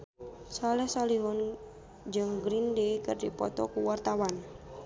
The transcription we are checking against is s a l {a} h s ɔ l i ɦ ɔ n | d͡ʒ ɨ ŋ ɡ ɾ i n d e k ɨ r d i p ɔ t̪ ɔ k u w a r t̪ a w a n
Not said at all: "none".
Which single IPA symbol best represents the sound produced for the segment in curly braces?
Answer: ɛ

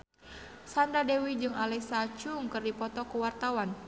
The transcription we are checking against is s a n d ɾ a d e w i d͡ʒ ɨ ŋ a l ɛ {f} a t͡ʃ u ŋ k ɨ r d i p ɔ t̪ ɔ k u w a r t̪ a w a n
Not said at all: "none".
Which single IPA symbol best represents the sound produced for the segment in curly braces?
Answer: s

